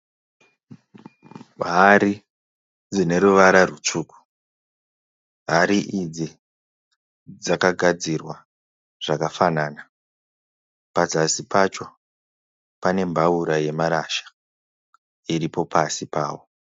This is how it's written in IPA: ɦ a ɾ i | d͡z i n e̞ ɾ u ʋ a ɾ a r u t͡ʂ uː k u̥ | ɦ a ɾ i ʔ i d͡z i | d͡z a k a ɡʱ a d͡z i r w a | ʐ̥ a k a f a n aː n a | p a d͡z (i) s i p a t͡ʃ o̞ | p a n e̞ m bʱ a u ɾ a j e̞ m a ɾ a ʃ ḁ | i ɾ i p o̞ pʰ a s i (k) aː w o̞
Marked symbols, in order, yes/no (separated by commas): no, no